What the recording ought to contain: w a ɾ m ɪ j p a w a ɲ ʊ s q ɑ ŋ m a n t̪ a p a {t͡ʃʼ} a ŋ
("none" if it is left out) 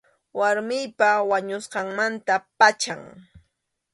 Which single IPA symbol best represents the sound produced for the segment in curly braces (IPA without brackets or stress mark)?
t͡ʃ